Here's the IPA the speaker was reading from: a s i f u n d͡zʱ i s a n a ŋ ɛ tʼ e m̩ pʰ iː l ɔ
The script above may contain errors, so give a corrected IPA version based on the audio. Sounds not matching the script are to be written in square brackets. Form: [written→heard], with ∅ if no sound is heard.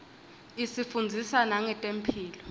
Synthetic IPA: [a→i] s i f u n d͡zʱ i s a n a ŋ ɛ tʼ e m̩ pʰ iː l ɔ